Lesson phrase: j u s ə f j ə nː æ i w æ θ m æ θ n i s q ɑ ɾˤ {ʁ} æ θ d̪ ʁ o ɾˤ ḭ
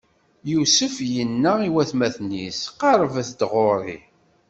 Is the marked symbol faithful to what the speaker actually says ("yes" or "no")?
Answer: no